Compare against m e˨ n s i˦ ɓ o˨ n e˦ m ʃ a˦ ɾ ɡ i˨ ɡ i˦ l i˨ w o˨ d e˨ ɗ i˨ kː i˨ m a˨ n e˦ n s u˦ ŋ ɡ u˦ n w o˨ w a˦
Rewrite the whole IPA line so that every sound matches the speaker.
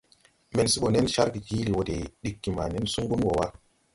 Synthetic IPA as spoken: m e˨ n s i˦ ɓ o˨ n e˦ n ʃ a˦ ɾ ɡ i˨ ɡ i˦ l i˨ w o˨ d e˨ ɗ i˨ kː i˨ m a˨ n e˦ n s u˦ ŋ ɡ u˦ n w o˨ w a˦